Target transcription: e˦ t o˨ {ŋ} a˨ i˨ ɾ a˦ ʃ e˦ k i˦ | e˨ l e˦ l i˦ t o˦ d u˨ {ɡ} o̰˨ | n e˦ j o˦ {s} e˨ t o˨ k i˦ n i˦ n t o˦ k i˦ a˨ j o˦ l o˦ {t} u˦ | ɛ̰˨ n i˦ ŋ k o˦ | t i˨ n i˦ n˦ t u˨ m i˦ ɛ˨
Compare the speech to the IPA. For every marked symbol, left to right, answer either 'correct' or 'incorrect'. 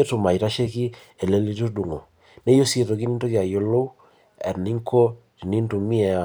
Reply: incorrect, incorrect, correct, incorrect

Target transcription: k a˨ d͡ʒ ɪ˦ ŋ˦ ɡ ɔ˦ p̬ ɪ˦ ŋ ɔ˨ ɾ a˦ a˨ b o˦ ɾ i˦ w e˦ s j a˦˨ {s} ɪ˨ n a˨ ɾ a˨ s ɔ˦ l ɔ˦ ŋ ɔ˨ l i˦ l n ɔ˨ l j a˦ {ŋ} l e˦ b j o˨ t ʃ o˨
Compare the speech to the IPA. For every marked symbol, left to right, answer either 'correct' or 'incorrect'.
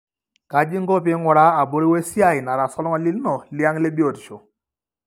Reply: incorrect, correct

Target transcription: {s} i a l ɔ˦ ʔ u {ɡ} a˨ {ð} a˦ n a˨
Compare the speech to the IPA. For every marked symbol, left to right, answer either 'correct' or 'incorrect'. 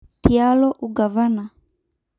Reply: incorrect, correct, incorrect

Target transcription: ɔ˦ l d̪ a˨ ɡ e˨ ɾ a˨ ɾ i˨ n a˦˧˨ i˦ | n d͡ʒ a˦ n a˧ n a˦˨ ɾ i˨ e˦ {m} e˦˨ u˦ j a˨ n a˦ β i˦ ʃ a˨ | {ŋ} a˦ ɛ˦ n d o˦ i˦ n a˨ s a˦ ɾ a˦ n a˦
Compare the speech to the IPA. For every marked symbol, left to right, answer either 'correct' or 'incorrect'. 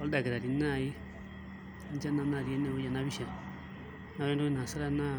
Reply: incorrect, incorrect

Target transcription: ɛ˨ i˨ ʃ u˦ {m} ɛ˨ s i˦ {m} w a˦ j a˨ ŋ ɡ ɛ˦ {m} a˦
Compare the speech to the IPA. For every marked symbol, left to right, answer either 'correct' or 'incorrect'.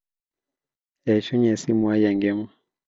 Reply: incorrect, correct, correct

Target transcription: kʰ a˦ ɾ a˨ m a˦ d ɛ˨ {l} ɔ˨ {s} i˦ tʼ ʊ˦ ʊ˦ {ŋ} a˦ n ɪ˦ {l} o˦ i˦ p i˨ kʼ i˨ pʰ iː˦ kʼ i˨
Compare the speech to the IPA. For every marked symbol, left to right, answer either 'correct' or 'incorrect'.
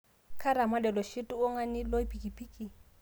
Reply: correct, incorrect, correct, correct

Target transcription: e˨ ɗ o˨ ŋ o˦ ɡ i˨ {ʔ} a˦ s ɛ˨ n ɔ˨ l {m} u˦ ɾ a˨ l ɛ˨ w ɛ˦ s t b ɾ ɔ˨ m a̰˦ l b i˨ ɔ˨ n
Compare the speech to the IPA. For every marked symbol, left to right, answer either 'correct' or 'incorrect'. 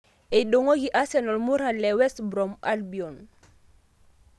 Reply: correct, correct

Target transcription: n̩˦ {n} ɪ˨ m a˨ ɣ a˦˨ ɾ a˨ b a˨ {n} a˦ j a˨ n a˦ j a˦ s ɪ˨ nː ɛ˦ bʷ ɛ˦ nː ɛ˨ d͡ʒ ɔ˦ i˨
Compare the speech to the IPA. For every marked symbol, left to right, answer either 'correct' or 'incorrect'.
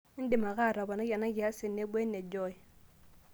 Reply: incorrect, correct

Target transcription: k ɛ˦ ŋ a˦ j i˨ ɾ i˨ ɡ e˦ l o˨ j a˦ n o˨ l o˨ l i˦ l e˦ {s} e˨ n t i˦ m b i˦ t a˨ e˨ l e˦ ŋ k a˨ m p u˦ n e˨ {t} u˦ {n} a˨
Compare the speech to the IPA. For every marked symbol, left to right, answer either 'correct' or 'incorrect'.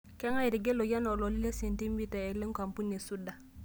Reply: correct, incorrect, incorrect

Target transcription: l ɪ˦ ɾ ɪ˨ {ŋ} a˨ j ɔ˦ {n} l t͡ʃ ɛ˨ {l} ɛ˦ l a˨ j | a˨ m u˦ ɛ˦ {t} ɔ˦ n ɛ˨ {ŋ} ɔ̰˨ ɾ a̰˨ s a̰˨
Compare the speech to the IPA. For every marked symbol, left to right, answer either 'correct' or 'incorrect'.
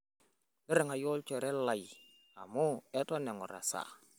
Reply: correct, incorrect, incorrect, correct, correct

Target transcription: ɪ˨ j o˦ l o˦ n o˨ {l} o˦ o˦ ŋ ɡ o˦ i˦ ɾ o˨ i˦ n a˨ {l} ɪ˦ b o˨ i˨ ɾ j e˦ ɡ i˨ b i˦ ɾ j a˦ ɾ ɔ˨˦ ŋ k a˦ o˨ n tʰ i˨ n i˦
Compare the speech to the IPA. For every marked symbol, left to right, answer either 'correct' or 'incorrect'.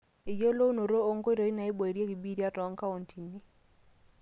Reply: incorrect, incorrect

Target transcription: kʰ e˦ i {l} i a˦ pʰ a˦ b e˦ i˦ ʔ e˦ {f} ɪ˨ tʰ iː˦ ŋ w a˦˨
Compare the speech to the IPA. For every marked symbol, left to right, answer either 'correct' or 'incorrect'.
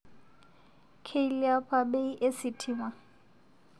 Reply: correct, incorrect

